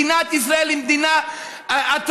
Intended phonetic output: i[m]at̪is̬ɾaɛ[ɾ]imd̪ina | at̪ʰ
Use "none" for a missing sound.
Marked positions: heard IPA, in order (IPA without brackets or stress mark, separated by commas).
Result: n, l